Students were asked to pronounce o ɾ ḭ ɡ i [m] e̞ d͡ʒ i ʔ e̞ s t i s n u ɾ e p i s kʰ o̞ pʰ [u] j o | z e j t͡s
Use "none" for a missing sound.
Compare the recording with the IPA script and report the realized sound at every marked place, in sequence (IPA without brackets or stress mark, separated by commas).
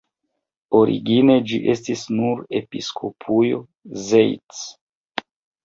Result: n, u